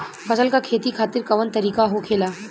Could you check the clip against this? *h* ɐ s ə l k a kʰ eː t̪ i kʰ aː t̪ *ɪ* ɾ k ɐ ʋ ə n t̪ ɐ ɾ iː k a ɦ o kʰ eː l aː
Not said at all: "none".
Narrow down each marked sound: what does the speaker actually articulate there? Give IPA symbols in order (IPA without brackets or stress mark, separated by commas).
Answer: f, ɪ